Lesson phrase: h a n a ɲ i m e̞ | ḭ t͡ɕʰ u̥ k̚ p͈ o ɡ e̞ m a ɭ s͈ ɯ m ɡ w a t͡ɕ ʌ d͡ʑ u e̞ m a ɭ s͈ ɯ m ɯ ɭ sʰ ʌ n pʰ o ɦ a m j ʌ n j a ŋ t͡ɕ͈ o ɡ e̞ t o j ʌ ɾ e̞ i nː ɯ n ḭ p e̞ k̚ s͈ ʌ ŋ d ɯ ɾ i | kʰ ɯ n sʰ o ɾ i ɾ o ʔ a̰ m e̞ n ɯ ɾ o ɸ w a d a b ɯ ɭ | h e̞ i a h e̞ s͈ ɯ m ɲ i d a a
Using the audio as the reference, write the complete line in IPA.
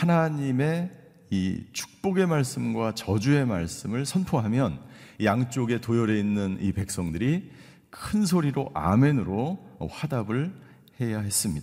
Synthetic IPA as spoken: h a n a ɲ i m e̞ | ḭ t͡ɕʰ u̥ k̚ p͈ o ɡ e̞ m a ɭ s͈ ɯ m ɡ w a t͡ɕ ʌ d͡ʑ u e̞ m a ɭ s͈ ɯ m ɯ ɭ sʰ ʌ n pʰ o ɦ a m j ʌ n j a ŋ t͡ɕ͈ o ɡ e̞ t o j ʌ ɾ e̞ i nː ɯ n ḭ p e̞ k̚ s͈ ʌ ŋ d ɯ ɾ i | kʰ ɯ n sʰ o ɾ i ɾ o ʔ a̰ m e̞ n ɯ ɾ o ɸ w a d a b ɯ ɭ | h e̞ j a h e̞ s͈ ɯ m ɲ i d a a